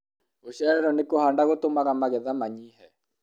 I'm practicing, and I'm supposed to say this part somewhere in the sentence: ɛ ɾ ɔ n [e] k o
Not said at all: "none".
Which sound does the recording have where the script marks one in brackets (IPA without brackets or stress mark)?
e